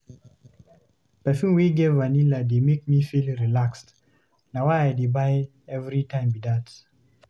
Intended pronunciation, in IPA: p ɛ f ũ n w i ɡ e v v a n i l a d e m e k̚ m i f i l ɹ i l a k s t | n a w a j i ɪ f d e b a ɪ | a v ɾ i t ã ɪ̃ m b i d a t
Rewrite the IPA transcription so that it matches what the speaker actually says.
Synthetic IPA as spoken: p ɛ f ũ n w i ɡ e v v a n i l a d e m e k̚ m i f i l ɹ i l a k s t | n a w a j a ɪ d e b a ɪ | ɛ v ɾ i t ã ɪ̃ m b i d a t